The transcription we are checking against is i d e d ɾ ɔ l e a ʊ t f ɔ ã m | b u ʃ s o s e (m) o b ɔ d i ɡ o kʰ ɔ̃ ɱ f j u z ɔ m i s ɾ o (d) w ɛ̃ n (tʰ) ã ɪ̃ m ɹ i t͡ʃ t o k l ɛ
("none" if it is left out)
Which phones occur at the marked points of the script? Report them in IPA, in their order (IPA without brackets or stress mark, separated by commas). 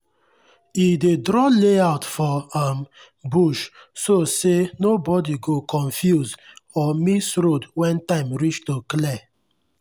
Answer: n, d, t